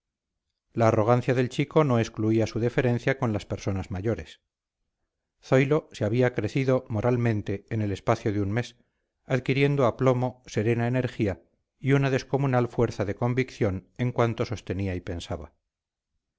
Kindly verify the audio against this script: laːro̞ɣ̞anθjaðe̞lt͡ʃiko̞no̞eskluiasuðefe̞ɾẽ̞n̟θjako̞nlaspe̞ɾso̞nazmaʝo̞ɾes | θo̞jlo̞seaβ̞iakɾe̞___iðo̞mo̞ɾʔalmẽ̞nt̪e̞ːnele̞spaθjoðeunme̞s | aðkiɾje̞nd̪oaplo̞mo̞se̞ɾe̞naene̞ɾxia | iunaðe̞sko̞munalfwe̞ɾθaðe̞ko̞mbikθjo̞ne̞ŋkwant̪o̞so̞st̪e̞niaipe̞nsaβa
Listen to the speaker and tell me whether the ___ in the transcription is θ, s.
θ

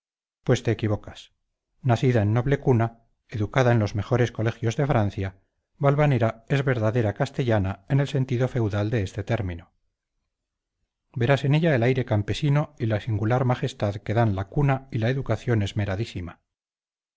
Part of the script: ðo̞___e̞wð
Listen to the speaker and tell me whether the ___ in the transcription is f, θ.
f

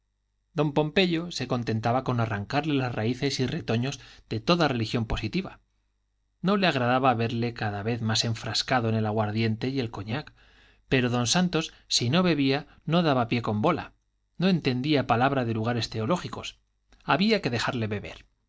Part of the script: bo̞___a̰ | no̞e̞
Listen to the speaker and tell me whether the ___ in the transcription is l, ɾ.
l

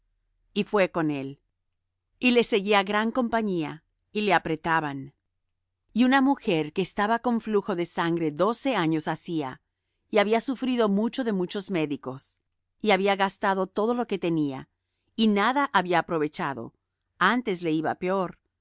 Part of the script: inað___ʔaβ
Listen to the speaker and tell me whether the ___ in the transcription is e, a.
a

